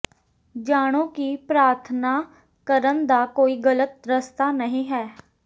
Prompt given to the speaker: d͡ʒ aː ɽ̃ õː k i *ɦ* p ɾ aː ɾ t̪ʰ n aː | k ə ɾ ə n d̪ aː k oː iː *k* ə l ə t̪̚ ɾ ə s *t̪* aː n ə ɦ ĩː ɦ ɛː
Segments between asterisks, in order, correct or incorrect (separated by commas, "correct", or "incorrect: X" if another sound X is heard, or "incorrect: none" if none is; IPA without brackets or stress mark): incorrect: none, incorrect: ɡ, correct